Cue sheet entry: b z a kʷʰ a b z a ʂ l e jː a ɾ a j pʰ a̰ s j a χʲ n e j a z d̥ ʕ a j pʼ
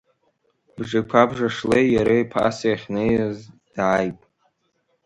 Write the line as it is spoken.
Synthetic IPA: b ʐ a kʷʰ a b ʐ a ʂ l e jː a ɾ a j pʰ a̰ s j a χʲ n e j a z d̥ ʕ a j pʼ